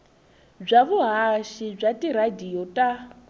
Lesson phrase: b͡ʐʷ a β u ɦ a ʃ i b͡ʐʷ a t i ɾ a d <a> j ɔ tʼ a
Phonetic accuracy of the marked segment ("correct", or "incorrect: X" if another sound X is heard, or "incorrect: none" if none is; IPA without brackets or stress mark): incorrect: i